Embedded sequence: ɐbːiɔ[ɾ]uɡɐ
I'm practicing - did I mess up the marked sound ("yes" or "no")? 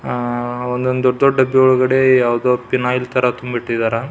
yes